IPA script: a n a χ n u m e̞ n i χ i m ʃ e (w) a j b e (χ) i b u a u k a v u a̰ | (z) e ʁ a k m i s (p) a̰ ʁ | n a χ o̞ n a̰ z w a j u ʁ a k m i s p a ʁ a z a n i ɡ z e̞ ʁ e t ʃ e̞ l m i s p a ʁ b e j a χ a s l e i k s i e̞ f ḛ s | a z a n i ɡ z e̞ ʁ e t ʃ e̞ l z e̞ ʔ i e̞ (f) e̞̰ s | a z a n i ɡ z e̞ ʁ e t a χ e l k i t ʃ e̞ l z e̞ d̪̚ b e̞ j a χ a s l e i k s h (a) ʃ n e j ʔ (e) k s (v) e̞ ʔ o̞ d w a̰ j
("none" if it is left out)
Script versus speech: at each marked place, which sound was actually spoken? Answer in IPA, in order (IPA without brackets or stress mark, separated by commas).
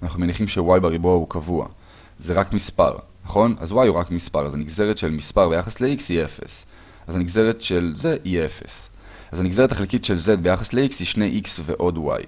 w, ʁ, z, p, f, i, i, v